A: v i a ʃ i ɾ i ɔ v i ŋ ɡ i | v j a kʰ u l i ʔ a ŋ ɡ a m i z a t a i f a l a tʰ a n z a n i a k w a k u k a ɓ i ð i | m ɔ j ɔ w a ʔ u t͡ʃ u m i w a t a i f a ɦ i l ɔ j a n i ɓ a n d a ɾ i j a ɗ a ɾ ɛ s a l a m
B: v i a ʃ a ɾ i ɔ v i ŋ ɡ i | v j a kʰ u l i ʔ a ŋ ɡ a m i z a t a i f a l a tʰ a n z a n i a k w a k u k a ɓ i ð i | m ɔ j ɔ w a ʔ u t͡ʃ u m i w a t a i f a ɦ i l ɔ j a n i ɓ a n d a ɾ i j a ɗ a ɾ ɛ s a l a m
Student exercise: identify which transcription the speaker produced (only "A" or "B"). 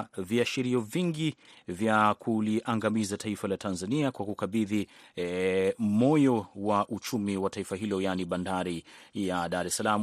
A